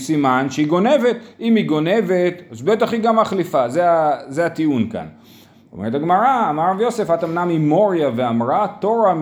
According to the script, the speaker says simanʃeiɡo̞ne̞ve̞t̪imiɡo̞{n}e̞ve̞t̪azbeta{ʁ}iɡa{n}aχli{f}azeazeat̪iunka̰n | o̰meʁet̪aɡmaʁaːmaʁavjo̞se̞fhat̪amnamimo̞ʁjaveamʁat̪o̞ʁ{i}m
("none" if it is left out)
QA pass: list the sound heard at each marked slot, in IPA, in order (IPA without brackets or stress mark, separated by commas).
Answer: n, χ, m, f, a